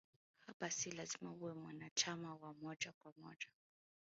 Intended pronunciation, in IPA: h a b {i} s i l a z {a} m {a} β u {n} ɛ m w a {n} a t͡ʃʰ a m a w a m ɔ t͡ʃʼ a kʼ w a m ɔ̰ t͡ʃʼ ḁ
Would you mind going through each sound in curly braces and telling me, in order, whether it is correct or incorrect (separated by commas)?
incorrect, incorrect, correct, incorrect, correct